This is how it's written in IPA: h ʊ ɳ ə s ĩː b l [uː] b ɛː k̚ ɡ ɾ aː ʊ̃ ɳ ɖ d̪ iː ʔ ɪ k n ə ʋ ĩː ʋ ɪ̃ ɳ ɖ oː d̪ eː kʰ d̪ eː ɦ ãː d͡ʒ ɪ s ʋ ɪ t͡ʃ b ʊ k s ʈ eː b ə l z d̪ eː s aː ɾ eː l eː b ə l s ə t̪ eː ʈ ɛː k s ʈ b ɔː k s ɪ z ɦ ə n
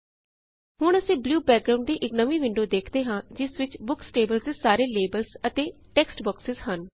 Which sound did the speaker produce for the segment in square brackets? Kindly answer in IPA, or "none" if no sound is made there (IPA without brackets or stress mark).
uː